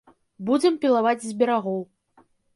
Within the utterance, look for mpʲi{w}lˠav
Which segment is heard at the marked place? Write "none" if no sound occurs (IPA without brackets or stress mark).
none